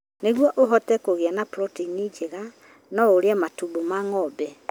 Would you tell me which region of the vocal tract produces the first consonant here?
tongue tip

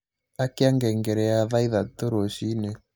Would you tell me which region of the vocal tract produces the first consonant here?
velum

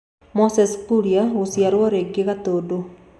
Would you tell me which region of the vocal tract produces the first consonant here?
lips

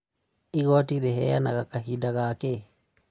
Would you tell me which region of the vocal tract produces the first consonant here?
velum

